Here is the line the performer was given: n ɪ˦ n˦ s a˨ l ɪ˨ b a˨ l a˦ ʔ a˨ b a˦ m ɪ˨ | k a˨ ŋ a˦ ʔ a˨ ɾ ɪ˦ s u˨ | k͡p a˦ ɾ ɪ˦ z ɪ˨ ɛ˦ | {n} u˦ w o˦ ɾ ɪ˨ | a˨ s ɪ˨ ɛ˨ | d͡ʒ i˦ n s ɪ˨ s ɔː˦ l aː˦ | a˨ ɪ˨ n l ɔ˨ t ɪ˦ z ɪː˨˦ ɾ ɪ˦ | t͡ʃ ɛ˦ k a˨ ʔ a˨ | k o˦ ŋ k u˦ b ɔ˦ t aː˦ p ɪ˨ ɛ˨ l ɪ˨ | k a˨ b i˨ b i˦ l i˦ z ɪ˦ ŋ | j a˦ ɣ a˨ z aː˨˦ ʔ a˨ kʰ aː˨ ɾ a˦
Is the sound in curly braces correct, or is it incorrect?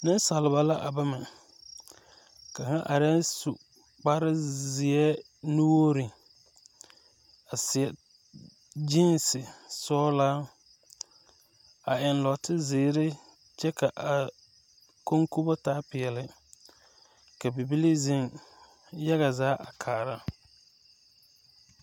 correct